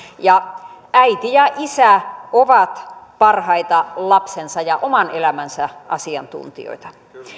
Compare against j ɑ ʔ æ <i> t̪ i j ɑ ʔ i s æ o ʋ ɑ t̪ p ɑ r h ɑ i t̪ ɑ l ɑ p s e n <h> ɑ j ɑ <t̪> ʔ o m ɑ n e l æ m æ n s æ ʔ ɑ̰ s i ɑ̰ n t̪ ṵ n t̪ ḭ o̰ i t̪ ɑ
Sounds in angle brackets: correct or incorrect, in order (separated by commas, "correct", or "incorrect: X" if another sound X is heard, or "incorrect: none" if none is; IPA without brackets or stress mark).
correct, incorrect: s, incorrect: none